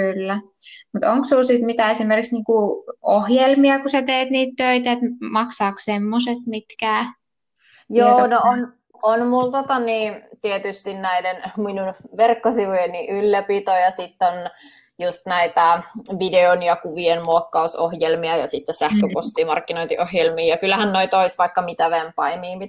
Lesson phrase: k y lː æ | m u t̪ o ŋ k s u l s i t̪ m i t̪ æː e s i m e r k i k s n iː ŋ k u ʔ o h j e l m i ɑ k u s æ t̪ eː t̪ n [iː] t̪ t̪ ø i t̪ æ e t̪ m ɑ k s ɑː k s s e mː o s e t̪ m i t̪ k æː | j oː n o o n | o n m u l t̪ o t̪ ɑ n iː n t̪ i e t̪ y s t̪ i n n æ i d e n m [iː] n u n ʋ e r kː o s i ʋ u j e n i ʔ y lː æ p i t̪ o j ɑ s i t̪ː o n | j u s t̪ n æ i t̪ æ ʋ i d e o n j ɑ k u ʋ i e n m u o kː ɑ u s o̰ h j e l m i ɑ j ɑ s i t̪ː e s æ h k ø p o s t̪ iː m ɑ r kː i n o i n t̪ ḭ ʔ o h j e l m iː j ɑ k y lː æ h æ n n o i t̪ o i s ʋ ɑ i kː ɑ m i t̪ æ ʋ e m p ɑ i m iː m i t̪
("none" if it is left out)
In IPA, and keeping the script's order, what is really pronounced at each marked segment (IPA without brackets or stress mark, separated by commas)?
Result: iː, i